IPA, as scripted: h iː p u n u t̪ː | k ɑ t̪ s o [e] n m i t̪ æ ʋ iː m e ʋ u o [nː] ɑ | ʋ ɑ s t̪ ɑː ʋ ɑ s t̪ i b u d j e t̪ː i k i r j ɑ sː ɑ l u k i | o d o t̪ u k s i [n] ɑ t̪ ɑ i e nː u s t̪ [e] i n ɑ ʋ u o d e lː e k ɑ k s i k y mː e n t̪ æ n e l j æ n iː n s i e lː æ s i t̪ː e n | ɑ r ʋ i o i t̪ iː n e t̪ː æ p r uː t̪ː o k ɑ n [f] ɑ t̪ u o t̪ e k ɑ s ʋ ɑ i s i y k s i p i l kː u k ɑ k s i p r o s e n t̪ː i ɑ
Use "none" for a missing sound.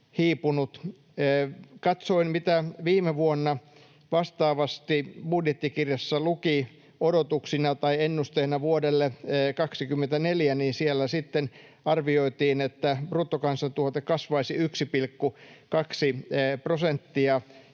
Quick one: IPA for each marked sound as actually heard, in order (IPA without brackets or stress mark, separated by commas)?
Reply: i, nː, n, e, s